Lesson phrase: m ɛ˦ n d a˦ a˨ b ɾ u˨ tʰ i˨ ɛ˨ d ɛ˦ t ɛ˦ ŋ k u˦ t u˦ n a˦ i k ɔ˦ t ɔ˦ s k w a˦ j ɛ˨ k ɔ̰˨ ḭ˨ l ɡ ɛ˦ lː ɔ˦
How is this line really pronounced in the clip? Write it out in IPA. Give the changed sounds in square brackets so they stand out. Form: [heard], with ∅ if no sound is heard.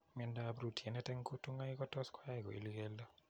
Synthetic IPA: m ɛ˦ n d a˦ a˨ b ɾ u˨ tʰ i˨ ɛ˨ [n] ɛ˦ t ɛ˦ ŋ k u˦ t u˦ [ŋ] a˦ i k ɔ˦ t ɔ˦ s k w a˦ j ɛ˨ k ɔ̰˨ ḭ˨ l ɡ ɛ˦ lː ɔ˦